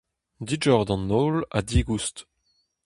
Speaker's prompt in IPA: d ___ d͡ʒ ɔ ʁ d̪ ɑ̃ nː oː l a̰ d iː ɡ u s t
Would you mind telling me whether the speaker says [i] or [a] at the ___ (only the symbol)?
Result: i